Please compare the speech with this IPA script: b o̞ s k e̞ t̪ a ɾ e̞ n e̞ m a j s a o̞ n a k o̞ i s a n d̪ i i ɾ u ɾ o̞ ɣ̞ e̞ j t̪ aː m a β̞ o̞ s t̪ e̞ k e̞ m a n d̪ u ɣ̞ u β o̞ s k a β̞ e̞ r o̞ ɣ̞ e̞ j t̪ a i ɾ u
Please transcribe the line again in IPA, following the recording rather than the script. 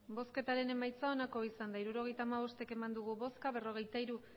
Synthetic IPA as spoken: b o̞ s k e̞ t̪ a ɾ e̞ n e̞ m a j t͡s a o̞ n a k o̞ i s a n d̪ a i ɾ u ɾ o̞ ɣ̞ e̞ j t̪ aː m a β̞ o̞ s t̪ e̞ k e̞ m a n d̪ u ɣ̞ u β o̞ s k a β̞ e̞ r o̞ ɣ̞ e̞ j t̪ a i ɾ u